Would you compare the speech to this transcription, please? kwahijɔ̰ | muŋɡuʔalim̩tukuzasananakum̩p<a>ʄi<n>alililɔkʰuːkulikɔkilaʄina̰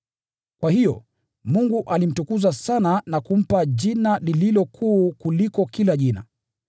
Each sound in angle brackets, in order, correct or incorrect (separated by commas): correct, correct